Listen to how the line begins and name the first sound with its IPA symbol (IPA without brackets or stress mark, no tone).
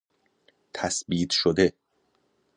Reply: t̪ʰ